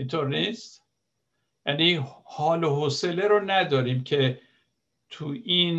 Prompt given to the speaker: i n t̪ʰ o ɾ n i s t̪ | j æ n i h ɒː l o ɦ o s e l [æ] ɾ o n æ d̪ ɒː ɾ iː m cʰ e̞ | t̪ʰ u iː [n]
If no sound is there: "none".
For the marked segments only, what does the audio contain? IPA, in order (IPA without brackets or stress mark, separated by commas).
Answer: e, n